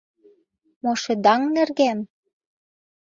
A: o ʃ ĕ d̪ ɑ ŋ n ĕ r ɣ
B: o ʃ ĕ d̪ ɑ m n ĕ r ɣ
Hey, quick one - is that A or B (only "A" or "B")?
A